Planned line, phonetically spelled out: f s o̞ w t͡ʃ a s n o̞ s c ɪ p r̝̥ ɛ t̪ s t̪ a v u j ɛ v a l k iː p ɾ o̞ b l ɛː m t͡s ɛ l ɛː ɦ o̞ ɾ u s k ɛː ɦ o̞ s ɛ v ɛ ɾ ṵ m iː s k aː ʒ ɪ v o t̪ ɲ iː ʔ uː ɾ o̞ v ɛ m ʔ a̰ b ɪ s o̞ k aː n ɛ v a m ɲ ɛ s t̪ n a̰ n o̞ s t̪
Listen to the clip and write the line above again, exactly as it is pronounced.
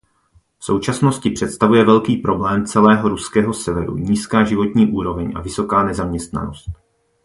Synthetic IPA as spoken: f s o̞ w t͡ʃ a s n o̞ s c ɪ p r̝̥ ɛ t̪ s t̪ a v u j ɛ v ɛ l k iː p ɾ o̞ b l ɛː m t͡s ɛ l ɛː ɦ o̞ ɾ u s k ɛː ɦ o̞ s ɛ v ɛ ɾ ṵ ɲ iː s k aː ʒ ɪ v o t̪ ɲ iː ʔ uː ɾ o̞ v ɛ ɲ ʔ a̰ v ɪ s o̞ k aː n ɛ z a m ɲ ɛ s t̪ n a̰ n o̞ s t̪